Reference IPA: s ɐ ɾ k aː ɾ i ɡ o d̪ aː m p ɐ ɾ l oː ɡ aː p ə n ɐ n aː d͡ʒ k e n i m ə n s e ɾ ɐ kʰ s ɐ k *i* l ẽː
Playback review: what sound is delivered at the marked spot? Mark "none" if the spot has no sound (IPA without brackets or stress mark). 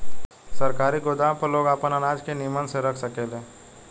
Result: e